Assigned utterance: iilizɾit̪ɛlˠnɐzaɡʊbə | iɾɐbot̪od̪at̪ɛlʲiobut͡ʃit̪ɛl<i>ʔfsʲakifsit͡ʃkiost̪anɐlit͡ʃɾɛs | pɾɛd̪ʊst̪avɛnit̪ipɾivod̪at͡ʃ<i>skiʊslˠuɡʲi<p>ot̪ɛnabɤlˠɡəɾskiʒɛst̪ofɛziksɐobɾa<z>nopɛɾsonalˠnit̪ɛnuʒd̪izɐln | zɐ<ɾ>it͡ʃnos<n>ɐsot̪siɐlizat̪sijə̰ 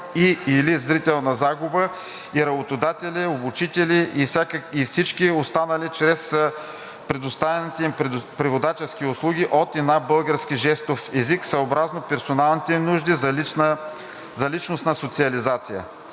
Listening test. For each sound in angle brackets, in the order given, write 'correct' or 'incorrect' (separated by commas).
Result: correct, incorrect, incorrect, correct, incorrect, correct